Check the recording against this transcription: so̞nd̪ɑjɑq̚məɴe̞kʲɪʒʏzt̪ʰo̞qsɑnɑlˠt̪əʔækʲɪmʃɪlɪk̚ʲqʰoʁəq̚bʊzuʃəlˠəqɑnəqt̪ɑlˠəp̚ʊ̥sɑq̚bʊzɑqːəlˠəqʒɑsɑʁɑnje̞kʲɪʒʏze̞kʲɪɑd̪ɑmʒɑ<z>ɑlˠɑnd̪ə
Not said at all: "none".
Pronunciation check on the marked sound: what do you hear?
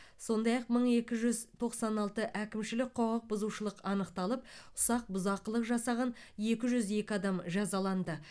z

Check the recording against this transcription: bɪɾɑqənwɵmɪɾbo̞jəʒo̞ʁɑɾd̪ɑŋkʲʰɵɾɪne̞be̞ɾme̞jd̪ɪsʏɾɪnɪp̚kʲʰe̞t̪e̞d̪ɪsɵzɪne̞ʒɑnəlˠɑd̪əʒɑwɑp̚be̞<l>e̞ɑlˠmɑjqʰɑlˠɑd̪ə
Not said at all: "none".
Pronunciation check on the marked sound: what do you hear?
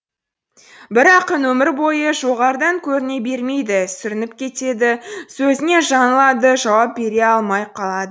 ɾ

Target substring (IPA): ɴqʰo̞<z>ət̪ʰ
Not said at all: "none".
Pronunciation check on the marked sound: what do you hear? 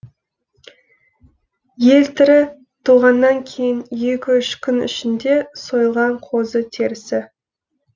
z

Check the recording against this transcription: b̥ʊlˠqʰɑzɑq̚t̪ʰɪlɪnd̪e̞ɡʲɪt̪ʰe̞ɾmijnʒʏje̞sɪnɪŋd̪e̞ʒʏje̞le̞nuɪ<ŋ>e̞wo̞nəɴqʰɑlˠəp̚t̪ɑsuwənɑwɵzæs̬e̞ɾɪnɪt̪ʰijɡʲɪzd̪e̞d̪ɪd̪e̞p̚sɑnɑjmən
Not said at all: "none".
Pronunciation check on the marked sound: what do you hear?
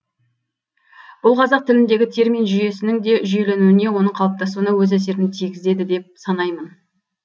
n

